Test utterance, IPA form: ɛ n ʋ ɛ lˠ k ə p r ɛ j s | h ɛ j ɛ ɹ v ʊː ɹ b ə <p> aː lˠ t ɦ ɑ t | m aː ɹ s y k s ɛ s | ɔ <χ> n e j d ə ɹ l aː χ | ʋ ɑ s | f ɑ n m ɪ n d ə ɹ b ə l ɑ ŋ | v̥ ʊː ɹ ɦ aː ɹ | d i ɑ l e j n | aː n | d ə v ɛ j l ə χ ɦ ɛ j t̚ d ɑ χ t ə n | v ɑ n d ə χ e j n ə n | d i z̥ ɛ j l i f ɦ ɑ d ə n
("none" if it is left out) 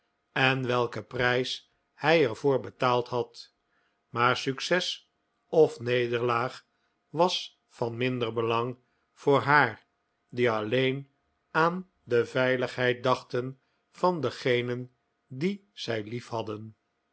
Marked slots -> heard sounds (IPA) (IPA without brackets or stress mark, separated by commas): t, f